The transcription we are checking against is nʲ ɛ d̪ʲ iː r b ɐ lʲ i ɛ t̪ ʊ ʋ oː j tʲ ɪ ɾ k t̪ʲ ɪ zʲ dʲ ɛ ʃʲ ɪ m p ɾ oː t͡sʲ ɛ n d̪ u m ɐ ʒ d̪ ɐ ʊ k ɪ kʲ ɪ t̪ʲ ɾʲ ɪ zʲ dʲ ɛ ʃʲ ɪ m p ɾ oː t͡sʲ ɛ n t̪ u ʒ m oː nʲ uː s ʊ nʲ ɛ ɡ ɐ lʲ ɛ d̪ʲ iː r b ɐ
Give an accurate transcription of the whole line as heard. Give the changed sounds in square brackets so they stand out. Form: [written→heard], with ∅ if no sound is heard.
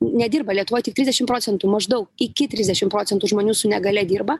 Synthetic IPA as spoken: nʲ ɛ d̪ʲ iː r b ɐ lʲ i ɛ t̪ ʊ ʋ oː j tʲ ɪ [ɾ→∅] k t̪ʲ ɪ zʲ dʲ ɛ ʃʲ ɪ m p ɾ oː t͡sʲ ɛ n [d̪→t̪] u m ɐ ʒ d̪ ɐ ʊ k ɪ kʲ ɪ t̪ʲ ɾʲ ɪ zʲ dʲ ɛ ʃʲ ɪ m p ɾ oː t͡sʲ ɛ n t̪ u ʒ m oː nʲ uː s ʊ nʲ ɛ ɡ ɐ lʲ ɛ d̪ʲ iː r b ɐ